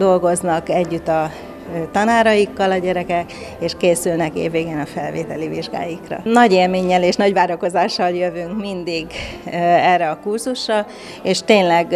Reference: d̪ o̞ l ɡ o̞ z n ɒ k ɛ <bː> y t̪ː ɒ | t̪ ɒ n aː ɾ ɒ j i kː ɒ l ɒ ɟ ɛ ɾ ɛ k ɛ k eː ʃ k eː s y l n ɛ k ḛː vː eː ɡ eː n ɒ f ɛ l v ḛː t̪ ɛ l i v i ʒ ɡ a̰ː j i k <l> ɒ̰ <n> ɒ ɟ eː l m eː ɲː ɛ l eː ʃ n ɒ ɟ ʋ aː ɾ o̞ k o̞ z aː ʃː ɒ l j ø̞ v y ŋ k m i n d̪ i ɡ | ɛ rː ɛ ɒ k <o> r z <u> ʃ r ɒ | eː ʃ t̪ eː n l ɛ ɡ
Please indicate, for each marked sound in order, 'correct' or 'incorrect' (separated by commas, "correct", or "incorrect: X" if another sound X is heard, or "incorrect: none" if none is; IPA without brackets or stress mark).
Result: incorrect: ɟː, incorrect: r, correct, incorrect: u, correct